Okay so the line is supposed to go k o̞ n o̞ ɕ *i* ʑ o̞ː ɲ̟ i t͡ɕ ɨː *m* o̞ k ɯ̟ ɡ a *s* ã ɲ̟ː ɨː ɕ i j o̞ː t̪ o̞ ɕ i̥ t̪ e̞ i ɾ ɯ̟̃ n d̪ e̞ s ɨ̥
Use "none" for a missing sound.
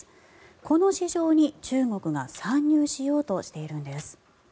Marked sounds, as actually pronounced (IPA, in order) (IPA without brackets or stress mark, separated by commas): i, ŋ, s